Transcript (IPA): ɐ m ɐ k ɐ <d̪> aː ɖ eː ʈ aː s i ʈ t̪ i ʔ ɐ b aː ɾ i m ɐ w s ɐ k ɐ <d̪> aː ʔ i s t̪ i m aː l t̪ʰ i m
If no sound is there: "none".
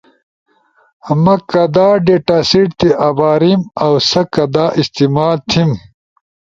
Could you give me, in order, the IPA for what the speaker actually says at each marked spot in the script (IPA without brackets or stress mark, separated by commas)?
d̪, d̪